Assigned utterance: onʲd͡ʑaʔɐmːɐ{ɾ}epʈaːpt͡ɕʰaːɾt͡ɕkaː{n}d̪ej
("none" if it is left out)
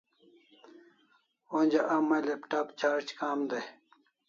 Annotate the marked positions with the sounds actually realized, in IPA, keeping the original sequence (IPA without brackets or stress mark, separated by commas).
l, m